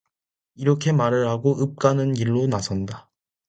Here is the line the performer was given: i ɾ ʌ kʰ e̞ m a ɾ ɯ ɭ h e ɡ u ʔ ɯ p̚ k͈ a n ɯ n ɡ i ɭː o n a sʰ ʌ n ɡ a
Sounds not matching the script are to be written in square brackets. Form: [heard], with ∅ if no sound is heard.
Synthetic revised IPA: i ɾ ʌ kʰ e̞ m a ɾ ɯ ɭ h [a] ɡ [o] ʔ ɯ p̚ k͈ a n ɯ n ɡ i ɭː o n a sʰ ʌ n [d] a